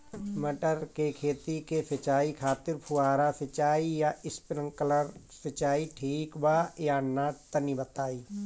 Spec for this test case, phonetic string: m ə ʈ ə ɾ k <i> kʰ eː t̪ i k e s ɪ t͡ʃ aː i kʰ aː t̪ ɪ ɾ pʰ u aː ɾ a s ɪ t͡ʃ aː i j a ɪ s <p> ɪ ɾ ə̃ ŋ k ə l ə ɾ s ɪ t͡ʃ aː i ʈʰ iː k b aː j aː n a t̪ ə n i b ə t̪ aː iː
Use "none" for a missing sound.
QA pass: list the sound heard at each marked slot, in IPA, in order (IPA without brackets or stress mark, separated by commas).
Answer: e, p